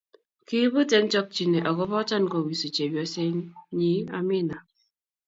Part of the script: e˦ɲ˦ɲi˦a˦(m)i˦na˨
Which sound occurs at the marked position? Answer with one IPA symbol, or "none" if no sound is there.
m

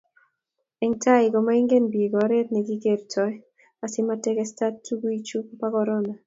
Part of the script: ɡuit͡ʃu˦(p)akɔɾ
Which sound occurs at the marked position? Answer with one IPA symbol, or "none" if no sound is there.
p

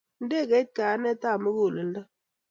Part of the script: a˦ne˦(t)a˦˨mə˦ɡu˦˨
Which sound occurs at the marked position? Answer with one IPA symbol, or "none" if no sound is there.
t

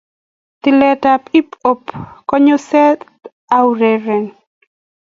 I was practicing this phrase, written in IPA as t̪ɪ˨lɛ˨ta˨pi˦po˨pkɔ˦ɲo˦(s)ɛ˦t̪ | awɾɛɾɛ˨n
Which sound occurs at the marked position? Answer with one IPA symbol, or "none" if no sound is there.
s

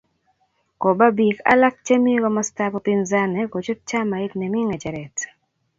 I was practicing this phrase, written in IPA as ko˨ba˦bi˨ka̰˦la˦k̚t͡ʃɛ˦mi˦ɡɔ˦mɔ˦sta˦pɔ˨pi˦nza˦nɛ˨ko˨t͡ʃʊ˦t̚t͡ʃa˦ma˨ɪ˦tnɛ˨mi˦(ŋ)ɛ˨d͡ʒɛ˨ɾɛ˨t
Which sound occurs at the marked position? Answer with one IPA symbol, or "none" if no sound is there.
ŋ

